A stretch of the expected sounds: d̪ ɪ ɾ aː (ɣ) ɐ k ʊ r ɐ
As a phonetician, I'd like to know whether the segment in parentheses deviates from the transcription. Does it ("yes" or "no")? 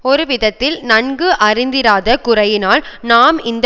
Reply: yes